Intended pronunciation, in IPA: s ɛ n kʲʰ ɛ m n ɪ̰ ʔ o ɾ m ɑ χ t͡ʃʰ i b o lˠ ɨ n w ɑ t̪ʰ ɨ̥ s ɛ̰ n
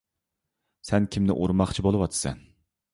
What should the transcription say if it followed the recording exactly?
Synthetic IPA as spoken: s ɛ n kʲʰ i m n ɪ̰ ʔ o ɾ m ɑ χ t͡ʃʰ i b o lˠ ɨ w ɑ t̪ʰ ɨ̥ s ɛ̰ n